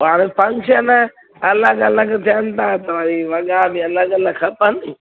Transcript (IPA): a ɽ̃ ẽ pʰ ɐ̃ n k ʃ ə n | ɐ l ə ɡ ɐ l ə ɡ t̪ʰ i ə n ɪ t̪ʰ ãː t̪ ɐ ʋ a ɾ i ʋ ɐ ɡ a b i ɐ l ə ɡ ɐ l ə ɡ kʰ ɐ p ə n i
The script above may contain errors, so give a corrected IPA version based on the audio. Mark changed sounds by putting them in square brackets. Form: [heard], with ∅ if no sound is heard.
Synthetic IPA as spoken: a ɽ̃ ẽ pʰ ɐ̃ [ŋ] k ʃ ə n | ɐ l ə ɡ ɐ l ə ɡ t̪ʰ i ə n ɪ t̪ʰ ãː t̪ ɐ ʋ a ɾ i ʋ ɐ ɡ a b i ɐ l ə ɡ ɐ l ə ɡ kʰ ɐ p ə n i